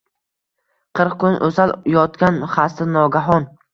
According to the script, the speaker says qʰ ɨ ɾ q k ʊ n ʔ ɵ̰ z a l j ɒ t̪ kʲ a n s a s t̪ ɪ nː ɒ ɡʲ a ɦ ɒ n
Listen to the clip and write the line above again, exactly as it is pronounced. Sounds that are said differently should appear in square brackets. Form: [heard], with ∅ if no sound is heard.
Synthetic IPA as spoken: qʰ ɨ ɾ q k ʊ n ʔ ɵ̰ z a l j ɒ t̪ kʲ a n [χ] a s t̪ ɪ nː ɒ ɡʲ a ɦ ɒ n